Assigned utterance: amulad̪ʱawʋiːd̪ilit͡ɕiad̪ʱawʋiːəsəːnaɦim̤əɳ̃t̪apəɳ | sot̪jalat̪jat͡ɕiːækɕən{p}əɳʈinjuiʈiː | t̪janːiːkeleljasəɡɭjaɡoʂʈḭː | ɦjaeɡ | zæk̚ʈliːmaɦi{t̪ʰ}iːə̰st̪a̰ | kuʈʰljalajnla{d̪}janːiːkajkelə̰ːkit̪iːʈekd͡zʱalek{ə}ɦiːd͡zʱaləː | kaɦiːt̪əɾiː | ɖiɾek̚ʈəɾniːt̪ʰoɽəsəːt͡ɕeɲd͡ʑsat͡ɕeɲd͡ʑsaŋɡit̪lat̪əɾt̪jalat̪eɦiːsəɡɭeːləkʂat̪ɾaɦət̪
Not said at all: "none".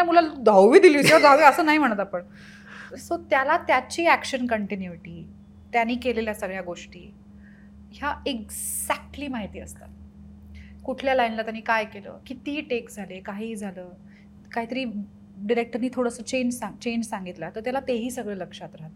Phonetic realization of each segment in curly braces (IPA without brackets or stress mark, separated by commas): k, t̪, t̪, a